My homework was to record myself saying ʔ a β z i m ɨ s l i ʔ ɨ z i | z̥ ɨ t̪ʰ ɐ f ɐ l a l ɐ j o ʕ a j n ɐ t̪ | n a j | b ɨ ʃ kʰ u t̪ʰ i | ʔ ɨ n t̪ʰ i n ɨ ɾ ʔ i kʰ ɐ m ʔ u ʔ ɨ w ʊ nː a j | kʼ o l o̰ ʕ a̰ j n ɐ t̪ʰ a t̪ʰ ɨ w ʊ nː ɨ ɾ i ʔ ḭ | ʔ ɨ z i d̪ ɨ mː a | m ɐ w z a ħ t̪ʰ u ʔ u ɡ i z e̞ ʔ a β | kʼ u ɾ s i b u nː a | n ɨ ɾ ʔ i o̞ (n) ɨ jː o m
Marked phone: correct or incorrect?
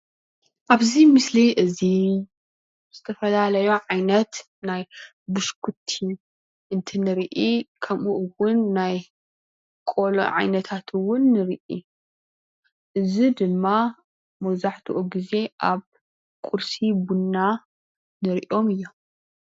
incorrect